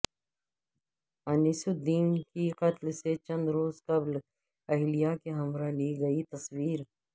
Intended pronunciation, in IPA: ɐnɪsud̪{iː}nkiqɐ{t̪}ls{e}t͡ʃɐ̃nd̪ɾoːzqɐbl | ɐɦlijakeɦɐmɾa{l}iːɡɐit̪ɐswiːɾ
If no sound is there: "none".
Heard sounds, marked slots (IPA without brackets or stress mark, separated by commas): iː, t̪, e, l